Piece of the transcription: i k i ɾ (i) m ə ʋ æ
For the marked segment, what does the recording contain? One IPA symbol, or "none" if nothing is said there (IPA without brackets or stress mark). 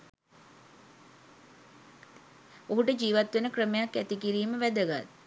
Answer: iː